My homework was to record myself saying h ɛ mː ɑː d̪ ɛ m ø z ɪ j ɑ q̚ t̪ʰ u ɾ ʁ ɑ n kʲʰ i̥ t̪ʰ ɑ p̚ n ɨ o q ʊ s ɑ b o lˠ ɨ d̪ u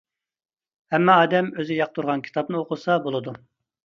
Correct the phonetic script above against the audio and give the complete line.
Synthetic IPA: h ɛ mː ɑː d̪ ɛ m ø z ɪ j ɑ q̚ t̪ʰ u ɾ ʁ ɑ n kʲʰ i̥ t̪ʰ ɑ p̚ n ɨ o q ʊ s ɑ b o lˠ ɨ d̪ u